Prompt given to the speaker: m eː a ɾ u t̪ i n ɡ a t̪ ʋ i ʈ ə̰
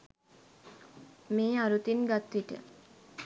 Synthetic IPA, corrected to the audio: m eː a ɾ u t̪ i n ɡ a t̪ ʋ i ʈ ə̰